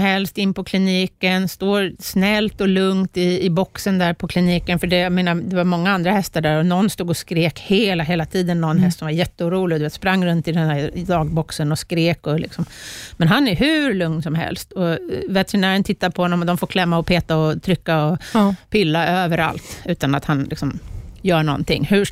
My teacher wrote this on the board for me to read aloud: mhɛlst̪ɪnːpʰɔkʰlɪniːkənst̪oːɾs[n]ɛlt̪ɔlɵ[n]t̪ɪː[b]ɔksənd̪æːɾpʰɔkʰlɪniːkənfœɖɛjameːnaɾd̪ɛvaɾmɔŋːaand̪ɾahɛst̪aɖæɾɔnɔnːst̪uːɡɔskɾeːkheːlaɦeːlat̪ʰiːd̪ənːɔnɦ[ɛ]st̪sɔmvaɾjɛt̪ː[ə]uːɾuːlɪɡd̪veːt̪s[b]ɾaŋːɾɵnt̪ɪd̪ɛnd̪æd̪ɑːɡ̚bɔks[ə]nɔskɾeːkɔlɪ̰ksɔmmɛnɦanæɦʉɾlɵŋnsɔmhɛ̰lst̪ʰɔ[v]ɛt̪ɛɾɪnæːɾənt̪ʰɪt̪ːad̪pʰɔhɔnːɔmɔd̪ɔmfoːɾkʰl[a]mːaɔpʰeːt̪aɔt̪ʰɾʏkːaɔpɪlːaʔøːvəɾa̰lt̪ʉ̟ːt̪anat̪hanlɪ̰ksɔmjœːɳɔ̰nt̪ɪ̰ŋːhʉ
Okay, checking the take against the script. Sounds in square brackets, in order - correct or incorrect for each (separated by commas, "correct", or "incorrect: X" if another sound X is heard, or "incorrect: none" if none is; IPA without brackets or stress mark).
correct, incorrect: ŋ, correct, correct, correct, incorrect: p, correct, correct, incorrect: ɛ